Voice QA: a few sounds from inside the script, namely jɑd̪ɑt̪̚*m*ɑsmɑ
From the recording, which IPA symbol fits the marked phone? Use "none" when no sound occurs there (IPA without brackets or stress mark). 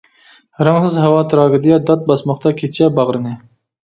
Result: b